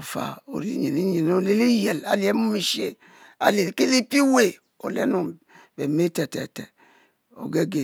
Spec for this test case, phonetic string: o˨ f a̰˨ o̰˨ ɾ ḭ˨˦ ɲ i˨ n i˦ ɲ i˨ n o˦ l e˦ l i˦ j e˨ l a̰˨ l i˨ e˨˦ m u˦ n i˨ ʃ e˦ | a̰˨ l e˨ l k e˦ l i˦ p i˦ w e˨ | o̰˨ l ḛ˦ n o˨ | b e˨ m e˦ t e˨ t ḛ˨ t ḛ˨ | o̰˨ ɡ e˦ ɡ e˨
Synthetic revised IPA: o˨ f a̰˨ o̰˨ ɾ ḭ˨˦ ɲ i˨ n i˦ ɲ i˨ n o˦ l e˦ l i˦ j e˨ l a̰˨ l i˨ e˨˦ m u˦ m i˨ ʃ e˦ | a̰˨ l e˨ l k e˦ l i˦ p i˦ w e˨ | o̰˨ l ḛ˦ n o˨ | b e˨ m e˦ t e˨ t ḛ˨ t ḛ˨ | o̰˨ ɡ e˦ ɡ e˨